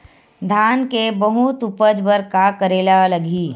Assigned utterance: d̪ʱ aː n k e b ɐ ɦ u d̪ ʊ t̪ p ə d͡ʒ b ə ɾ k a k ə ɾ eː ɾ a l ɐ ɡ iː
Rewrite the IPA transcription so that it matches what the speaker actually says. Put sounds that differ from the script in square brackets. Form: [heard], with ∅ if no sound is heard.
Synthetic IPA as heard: d̪ʱ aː n k e b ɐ ɦ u [t̪] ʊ [∅] p ə d͡ʒ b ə ɾ k a k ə ɾ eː [l] a l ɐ ɡ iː